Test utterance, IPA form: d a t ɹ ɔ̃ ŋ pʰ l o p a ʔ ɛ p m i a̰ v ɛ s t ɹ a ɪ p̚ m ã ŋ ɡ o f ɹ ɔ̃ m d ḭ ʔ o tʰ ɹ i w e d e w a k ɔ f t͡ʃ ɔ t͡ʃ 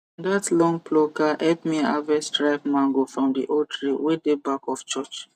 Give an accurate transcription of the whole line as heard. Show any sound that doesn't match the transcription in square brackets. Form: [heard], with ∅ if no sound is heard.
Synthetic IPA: d a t [l] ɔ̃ ŋ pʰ l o [k] a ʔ ɛ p m i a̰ v ɛ s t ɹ a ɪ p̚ m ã ŋ ɡ o f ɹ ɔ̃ m d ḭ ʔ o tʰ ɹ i w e d e [b] a k ɔ f t͡ʃ ɔ t͡ʃ